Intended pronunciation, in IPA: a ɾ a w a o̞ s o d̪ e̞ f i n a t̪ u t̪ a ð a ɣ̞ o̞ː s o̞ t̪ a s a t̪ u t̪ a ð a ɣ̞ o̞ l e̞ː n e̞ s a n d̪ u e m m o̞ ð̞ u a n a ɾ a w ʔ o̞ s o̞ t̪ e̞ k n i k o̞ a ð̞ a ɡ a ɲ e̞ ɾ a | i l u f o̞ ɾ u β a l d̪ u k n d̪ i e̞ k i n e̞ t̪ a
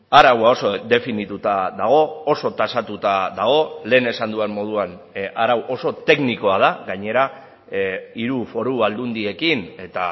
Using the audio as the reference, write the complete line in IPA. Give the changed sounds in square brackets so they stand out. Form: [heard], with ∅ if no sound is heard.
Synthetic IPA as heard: a ɾ a w a o̞ s o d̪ e̞ f i n [i] t̪ u t̪ a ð a ɣ̞ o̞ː s o̞ t̪ a s a t̪ u t̪ a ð a ɣ̞ o̞ l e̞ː n e̞ s a n d̪ u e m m o̞ ð̞ u a n a ɾ a w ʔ o̞ s o̞ t̪ e̞ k n i k o̞ a ð̞ a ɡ a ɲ e̞ ɾ a | i [ɾ] u f o̞ ɾ u β a l d̪ u [∅] n d̪ i e̞ k i n e̞ t̪ a